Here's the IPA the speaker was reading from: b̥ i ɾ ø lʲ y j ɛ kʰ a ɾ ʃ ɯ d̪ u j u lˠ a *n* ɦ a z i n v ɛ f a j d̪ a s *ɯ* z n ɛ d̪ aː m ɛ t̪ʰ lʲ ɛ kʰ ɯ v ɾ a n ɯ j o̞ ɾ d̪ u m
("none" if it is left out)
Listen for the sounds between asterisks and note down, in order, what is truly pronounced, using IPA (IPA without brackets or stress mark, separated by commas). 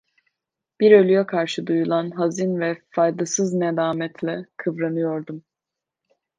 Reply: n, ɯ